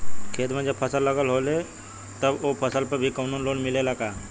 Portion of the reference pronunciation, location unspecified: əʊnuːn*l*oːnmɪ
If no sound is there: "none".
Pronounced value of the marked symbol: l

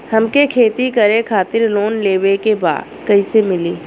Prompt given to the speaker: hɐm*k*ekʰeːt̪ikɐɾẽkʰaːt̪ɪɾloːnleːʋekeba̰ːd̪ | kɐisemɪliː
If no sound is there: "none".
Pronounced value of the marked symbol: k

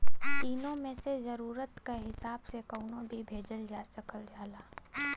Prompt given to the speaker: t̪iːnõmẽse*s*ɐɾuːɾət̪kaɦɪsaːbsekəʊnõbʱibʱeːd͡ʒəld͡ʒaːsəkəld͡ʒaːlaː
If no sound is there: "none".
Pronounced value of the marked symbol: z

